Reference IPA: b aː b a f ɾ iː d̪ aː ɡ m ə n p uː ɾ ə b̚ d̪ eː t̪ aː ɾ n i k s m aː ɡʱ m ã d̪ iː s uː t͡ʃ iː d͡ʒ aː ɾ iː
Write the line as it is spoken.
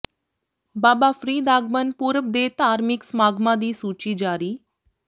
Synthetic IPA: b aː b a f ɾ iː d̪ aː ɡ m ə n p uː ɾ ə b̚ d̪ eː t̪ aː ɾ m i k s m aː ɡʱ m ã d̪ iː s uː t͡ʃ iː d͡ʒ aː ɾ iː